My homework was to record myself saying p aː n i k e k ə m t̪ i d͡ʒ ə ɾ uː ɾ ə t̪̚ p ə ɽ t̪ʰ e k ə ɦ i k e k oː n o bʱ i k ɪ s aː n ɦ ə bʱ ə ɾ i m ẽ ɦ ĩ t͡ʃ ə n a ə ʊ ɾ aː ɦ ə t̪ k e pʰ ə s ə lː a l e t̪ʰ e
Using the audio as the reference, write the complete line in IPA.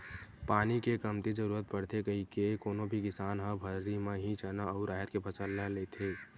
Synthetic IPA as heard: p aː n i k e k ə m t̪ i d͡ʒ ə ɾ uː ɾ ə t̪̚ p ə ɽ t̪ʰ e k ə ɦ i k e k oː n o bʱ i k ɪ s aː n ɦ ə bʱ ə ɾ i m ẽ ɦ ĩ t͡ʃ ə n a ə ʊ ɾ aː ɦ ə t̪ k e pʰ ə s ə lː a l e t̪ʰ e